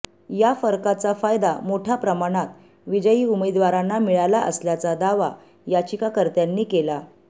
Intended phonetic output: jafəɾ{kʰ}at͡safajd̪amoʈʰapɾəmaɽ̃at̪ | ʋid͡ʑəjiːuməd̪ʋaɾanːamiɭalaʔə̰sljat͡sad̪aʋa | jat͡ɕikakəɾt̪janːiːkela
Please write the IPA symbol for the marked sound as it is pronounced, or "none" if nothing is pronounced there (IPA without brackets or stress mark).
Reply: k